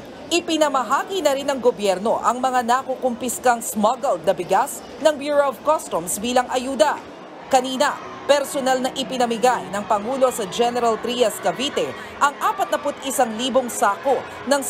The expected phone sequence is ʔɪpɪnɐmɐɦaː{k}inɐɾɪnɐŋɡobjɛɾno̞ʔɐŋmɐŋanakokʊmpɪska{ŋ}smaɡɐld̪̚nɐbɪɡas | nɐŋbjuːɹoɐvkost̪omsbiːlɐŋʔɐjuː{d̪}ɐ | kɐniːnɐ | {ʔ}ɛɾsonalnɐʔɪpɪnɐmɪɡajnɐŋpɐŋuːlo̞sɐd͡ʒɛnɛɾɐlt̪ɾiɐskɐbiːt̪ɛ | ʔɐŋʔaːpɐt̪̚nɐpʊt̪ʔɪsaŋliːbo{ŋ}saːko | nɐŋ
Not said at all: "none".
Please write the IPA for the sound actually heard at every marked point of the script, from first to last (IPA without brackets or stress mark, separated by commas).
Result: k, ŋ, d̪, p, ŋ